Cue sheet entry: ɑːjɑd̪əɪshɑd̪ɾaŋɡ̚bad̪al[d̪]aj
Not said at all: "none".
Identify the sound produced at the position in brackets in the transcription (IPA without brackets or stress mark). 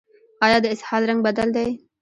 d̪